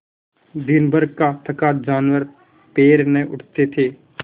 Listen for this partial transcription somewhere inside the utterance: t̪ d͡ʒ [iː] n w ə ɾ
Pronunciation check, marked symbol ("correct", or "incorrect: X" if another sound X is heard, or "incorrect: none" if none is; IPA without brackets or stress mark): incorrect: aː